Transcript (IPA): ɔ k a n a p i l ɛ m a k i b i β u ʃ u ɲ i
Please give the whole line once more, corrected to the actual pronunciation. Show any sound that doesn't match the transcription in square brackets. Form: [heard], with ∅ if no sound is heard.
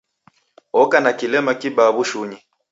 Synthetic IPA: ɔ k a n a [k] i l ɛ m a k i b [a] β u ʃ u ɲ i